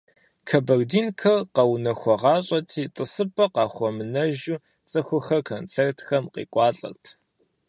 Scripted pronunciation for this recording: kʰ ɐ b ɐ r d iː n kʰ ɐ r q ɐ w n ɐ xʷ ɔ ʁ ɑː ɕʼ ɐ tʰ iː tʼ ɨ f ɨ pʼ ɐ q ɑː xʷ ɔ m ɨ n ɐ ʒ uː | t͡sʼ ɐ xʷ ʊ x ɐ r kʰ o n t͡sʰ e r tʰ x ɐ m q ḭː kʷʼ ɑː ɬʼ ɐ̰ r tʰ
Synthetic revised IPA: kʰ ɐ b ɐ r d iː n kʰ ɐ r q ɐ w n ɐ xʷ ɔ ʁ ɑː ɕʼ ɐ tʰ iː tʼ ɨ s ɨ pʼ ɐ q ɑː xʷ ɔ m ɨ n ɐ ʒ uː | t͡sʼ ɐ xʷ ʊ x ɐ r kʰ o n t͡sʰ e r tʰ x ɐ m q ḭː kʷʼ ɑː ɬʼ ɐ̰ r tʰ